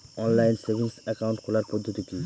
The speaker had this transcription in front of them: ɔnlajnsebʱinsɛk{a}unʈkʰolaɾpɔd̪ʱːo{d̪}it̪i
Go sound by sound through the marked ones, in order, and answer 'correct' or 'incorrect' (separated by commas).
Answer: correct, incorrect